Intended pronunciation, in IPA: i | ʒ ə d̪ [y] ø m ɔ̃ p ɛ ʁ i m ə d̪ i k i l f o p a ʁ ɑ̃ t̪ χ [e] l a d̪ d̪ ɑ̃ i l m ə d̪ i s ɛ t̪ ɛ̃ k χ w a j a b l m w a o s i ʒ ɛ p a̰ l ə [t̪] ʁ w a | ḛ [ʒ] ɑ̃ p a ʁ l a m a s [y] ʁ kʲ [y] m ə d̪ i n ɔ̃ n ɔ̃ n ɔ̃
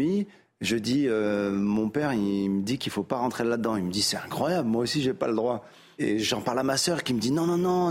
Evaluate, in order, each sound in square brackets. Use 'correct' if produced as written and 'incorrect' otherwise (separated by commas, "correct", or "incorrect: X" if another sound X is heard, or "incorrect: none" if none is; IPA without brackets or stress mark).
incorrect: i, correct, incorrect: d̪, correct, incorrect: œ, incorrect: i